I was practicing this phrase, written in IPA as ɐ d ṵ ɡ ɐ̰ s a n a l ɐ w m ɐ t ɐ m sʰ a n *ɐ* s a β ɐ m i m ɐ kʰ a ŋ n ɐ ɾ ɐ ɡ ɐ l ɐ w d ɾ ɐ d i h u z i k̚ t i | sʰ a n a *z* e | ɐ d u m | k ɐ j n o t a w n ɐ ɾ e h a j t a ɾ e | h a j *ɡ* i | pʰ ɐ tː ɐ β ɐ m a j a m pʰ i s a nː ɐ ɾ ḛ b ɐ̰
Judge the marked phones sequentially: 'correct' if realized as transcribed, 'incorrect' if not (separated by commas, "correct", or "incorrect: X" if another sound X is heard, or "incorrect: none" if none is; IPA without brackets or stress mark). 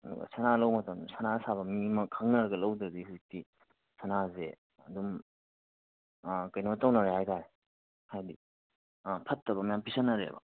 incorrect: a, correct, incorrect: d